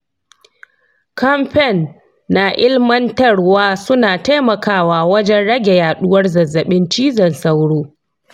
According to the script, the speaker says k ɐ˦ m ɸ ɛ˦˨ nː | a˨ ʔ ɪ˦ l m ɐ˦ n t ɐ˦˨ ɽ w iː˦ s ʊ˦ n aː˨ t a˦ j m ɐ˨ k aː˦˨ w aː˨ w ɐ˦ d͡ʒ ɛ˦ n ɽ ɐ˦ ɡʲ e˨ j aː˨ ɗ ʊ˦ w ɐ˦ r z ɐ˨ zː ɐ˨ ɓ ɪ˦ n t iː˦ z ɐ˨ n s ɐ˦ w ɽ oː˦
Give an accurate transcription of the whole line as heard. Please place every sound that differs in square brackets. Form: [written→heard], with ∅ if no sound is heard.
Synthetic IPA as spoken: k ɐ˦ m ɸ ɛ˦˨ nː | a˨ ʔ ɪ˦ l m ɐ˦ n t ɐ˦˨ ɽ w [iː˦→aː˦] s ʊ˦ n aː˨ t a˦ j m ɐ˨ k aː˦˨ w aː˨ w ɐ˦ d͡ʒ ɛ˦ n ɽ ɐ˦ ɡʲ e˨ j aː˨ ɗ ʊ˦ w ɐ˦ r z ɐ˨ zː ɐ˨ ɓ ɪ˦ n [t→t͡ʃ] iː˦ z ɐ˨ n s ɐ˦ w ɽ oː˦